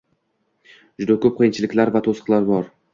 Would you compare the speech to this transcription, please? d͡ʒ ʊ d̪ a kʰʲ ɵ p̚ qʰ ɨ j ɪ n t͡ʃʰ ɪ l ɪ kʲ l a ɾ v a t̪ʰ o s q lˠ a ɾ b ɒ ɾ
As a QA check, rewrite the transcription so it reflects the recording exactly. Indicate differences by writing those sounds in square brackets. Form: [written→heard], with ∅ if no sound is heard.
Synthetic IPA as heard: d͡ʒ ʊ d̪ a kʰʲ ɵ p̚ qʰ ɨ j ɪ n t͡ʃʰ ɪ l ɪ kʲ l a ɾ v a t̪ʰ o s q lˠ a ɾ b ɒ ɾ